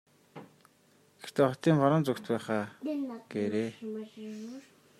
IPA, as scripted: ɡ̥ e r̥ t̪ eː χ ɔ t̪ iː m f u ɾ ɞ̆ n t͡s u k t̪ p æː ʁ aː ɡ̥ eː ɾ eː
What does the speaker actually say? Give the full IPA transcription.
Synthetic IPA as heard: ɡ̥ e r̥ t̪ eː χ ɔ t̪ iː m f ɔ ɾ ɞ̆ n t͡s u k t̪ p æː χ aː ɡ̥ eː ɾ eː